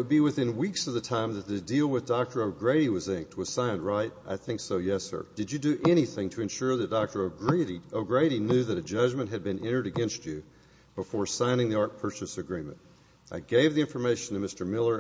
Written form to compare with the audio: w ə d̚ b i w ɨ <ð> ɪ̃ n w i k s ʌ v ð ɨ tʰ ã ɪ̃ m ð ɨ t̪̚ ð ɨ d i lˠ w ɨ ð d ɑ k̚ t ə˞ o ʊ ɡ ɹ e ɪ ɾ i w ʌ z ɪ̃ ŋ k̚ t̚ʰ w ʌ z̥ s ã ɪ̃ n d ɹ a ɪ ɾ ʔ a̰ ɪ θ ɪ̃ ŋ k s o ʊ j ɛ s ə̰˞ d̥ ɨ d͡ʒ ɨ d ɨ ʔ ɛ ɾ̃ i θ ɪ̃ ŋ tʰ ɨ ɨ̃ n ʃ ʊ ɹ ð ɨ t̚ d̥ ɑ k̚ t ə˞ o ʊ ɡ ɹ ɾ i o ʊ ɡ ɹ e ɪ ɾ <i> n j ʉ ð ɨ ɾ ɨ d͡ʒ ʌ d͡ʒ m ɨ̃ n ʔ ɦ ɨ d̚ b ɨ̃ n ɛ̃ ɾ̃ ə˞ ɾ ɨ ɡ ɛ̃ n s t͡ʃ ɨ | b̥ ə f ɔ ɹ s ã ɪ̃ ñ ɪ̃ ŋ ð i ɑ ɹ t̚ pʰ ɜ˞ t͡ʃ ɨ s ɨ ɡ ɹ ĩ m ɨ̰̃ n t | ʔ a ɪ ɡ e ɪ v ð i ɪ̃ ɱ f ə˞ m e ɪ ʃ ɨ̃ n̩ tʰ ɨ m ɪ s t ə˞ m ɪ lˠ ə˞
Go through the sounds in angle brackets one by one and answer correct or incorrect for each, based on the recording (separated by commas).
incorrect, correct